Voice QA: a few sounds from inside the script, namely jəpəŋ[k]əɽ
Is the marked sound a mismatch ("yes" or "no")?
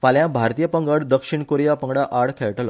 yes